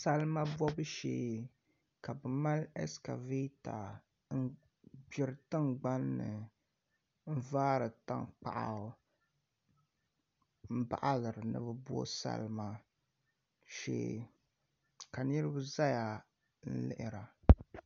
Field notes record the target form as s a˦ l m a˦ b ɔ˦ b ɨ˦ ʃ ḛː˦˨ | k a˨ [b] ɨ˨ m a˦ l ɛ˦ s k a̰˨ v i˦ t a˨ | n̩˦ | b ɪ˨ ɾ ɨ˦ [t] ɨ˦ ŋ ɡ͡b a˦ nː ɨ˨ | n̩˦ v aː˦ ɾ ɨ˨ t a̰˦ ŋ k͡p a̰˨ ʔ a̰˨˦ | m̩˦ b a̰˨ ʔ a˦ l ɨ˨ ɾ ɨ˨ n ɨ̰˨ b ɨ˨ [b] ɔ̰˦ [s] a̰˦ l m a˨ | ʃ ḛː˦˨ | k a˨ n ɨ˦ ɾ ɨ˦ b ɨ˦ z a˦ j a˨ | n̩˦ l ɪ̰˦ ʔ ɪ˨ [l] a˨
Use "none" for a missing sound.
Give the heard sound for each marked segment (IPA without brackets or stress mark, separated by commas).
b, t, b, s, ɾ